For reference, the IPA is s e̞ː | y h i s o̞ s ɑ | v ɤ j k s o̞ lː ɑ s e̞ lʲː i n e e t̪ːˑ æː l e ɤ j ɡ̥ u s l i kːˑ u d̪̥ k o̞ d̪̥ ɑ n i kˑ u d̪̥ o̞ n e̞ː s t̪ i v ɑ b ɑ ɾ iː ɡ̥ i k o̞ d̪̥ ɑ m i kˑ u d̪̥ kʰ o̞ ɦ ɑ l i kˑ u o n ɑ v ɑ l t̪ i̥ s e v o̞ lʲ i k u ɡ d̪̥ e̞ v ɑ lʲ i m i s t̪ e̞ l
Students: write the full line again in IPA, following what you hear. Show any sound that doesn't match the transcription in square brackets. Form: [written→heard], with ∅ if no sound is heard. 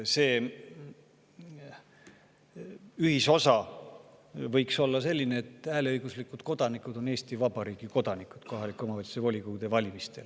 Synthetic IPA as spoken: s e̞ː | y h i s o̞ s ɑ | v ɤ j k s o̞ lː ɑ s e̞ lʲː i n e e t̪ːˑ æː l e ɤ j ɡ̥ u s l i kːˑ u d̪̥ k o̞ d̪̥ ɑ n i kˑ u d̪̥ o̞ n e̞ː s t̪ i v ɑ b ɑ ɾ iː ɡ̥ i k o̞ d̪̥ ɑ [m→n] i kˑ u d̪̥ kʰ o̞ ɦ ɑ l i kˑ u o [n→m] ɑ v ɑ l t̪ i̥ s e v o̞ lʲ i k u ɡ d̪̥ e̞ v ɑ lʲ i m i s t̪ e̞ l